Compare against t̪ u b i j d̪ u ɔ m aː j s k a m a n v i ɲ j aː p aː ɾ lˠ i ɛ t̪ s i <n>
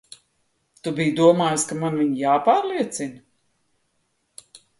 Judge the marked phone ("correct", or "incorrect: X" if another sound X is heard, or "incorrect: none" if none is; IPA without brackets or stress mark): correct